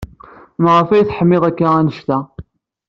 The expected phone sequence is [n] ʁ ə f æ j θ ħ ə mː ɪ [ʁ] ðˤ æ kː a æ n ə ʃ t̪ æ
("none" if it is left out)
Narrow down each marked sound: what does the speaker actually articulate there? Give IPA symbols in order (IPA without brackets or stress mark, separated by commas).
m, none